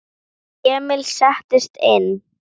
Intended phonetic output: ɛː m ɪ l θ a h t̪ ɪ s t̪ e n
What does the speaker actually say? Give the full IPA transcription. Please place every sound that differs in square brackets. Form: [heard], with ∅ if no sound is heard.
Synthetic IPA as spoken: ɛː m ɪ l [s] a h t̪ ɪ s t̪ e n